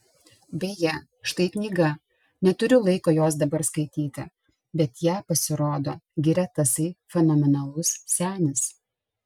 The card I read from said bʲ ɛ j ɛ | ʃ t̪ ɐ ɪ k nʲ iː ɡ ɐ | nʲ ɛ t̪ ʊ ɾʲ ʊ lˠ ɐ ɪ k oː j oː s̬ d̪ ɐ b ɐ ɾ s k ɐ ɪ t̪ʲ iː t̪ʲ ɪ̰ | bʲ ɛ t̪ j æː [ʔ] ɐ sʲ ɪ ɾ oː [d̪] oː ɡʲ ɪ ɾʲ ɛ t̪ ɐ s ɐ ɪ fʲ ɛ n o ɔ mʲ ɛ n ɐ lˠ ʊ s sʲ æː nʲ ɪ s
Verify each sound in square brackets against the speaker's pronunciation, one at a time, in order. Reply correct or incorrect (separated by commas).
incorrect, correct